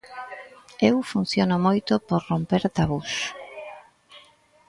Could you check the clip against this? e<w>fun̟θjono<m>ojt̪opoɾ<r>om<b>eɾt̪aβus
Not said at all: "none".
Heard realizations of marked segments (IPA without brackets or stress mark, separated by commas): w, m, r, p